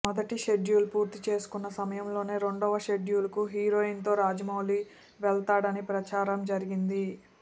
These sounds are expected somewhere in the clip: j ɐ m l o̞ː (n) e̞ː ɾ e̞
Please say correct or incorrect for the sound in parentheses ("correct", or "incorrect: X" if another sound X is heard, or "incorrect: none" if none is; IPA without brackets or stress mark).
correct